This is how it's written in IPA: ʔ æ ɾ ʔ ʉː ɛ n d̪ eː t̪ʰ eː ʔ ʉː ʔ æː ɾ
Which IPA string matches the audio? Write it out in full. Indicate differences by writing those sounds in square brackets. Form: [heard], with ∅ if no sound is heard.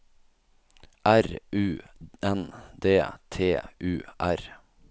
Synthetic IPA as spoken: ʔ æ ɾ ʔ ʉː ɛ n d̪ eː t̪ʰ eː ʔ ʉː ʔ [æ] ɾ